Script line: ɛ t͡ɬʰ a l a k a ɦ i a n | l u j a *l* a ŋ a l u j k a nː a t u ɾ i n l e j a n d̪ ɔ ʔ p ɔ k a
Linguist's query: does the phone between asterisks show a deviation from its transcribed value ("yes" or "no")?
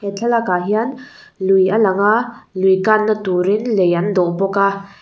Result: no